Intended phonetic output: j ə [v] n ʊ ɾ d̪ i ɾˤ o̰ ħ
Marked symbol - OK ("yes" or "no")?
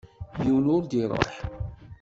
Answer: no